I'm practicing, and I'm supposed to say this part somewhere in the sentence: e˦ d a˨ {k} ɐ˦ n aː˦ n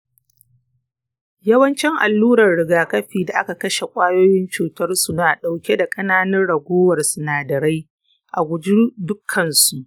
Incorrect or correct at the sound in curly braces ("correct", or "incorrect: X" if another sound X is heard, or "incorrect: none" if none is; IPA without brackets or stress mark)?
incorrect: kʼ